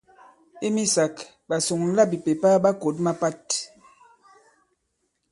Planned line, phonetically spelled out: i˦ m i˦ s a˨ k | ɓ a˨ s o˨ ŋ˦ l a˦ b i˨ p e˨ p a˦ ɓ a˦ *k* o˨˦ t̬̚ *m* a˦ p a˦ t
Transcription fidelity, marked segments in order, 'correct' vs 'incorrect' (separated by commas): correct, correct